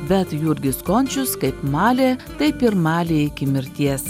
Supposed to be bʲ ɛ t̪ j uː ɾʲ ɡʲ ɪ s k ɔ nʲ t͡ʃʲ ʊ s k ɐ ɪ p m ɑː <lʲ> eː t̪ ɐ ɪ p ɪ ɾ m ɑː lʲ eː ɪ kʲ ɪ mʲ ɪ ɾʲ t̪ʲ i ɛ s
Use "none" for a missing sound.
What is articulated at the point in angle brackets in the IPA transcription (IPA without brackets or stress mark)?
lʲ